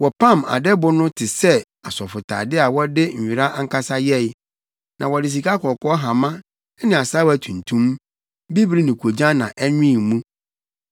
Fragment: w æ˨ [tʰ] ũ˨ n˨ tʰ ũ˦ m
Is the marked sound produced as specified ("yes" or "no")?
yes